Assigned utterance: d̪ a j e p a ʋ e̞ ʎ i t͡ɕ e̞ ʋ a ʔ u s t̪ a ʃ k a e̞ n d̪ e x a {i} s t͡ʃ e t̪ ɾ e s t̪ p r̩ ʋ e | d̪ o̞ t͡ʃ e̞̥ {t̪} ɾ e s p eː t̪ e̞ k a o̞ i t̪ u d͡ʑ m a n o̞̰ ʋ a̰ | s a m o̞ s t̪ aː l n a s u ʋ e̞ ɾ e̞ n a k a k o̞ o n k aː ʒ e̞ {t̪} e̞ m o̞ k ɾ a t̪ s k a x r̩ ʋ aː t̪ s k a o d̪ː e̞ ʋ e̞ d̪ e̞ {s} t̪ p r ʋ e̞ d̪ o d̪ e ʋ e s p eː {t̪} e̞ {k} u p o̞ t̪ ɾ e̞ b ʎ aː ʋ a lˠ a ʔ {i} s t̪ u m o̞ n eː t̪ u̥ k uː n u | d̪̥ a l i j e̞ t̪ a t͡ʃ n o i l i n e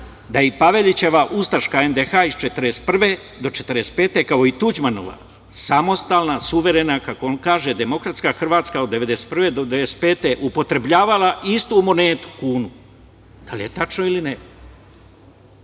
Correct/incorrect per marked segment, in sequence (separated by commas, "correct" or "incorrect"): correct, correct, incorrect, correct, correct, incorrect, correct